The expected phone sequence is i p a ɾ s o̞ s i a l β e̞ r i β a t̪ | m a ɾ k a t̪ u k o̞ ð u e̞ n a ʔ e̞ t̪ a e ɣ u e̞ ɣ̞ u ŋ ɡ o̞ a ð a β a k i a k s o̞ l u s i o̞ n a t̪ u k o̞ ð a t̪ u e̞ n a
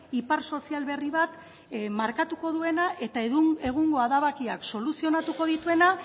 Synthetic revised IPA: i p a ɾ s o̞ s i a l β e̞ r i β a t̪ | m a ɾ k a t̪ u k o̞ ð u e̞ n a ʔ e̞ t̪ a e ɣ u e̞ ɣ̞ u ŋ ɡ o̞ a ð a β a k i a k s o̞ l u s i o̞ n a t̪ u k o̞ ð i t̪ u e̞ n a